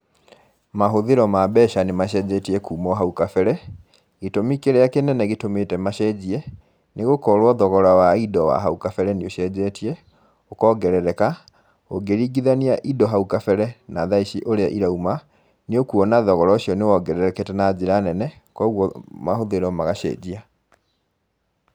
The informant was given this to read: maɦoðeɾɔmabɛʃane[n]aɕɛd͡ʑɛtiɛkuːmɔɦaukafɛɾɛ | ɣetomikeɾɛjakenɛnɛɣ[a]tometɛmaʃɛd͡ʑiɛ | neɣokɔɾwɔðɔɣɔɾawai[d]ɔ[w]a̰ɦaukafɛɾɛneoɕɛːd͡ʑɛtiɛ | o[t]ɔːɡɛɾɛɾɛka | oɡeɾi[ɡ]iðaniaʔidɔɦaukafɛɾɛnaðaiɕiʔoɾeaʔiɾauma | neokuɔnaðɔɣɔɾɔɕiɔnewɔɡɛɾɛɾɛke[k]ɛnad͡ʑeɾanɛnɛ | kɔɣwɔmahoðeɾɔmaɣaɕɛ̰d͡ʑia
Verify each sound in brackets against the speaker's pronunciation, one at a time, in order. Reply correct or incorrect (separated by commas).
incorrect, incorrect, correct, correct, incorrect, correct, incorrect